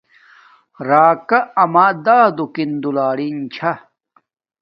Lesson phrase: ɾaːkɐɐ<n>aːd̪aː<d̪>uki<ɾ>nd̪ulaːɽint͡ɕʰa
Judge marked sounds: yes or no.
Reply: no, yes, no

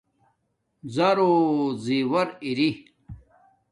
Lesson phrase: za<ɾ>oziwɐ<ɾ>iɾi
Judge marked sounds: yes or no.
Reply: yes, yes

